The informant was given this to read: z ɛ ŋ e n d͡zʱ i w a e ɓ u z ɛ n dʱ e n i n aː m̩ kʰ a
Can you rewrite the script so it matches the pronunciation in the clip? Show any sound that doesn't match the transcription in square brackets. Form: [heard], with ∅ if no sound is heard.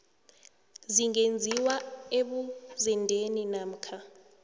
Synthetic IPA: z [i] ŋ e n d͡zʱ i w a e ɓ u z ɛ n dʱ e n i n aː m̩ kʰ a